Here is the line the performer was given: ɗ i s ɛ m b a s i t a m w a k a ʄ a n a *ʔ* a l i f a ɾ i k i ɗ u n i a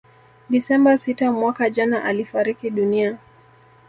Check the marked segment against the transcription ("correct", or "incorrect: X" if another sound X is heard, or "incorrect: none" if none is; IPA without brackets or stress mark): correct